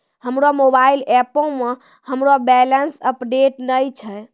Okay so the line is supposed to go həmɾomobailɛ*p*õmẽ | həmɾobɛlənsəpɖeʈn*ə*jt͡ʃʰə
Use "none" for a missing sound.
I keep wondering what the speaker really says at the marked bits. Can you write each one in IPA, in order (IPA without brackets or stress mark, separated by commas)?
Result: p, ə